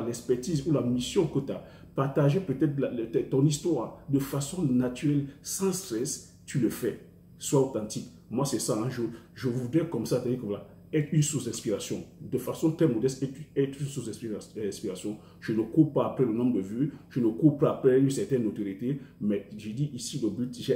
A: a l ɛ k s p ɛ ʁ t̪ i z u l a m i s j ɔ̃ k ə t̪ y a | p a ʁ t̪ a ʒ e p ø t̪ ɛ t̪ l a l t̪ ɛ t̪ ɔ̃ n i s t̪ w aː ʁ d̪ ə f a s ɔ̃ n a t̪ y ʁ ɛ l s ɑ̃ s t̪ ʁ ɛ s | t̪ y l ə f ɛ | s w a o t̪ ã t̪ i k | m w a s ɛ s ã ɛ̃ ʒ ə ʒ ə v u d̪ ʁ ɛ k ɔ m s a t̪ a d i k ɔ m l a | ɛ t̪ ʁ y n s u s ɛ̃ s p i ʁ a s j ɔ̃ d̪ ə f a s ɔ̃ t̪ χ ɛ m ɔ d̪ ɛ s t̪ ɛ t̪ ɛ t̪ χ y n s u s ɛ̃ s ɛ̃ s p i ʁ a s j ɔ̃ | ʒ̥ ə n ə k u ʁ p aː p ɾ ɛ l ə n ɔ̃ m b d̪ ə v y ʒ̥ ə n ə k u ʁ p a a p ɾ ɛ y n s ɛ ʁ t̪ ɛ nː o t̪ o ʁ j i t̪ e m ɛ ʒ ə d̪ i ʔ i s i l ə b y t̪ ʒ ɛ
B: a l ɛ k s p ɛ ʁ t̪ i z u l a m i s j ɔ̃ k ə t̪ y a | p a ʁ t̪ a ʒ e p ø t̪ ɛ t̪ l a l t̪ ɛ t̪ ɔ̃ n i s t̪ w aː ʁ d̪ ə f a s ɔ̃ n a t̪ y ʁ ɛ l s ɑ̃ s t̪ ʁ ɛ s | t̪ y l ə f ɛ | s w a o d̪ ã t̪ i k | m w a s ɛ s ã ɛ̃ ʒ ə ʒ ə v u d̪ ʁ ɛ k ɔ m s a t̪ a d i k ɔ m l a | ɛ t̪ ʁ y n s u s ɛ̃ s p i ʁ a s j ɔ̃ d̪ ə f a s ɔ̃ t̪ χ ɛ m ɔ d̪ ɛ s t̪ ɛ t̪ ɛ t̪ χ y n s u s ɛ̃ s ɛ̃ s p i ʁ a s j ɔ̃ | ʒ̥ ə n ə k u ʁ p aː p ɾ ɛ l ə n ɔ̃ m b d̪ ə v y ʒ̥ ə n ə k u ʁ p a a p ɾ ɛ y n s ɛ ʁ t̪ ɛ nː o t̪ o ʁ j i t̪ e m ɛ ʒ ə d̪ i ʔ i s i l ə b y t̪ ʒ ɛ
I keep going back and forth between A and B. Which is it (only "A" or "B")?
A